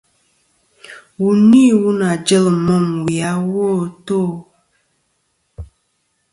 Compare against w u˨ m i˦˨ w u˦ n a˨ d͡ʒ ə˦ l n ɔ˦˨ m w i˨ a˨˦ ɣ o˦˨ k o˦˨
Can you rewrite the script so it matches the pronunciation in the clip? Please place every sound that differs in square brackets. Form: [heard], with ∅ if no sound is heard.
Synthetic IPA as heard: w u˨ [n] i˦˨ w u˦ n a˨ d͡ʒ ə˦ l [m] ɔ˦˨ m w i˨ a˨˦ [w] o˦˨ [t] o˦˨